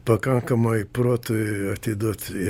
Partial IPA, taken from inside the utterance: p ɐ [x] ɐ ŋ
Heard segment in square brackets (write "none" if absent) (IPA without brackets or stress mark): k